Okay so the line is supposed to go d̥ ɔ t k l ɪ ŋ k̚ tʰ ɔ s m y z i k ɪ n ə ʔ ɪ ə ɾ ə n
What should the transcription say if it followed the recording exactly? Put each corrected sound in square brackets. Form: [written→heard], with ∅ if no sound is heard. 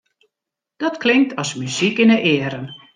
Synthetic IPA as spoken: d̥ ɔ t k l ɪ ŋ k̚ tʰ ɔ s m y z i k ɪ n ə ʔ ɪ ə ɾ ə n